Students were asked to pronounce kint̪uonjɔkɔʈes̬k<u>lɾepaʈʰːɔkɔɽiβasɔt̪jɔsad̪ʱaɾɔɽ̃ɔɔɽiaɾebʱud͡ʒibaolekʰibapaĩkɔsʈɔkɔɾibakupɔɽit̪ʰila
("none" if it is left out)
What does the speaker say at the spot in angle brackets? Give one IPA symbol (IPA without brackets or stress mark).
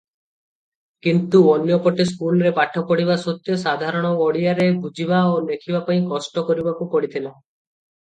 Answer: u